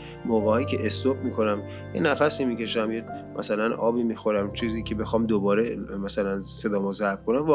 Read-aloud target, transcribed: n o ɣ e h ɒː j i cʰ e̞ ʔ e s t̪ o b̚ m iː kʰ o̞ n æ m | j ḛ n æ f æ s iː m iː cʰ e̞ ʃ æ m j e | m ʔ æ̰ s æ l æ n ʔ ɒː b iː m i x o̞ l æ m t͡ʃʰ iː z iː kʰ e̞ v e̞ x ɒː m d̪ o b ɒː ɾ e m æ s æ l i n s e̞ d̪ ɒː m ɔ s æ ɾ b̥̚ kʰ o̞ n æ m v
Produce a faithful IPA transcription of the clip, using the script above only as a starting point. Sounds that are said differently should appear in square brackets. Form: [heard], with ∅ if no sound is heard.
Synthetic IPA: [m] o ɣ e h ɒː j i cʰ e̞ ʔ e s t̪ o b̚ m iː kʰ o̞ n æ m | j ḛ n æ f æ s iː m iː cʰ e̞ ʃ æ m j e | m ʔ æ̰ s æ l æ n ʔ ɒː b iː m i x o̞ [ɾ] æ m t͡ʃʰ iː z iː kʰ e̞ [b] e̞ x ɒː m d̪ o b ɒː ɾ e m æ s æ l [æ] n s e̞ d̪ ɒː m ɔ [z] æ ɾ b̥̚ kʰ o̞ n æ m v